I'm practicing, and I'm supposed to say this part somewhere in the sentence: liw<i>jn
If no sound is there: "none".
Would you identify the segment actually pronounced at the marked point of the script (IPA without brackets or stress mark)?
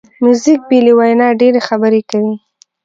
a